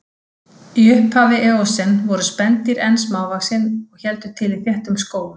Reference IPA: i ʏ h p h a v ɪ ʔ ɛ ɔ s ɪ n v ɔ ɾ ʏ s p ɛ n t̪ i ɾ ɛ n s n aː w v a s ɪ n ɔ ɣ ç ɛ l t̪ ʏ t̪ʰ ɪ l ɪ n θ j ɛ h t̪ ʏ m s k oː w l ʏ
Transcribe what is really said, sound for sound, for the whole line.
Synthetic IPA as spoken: i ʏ h p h a v ɪ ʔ ɛ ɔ s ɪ n v ɔ ɾ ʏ s p ɛ n t̪ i ɾ ɛ n s m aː w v a s ɪ n ɔ ɣ ç ɛ l t̪ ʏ t̪ʰ ɪ l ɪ θ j ɛ h t̪ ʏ m s k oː w l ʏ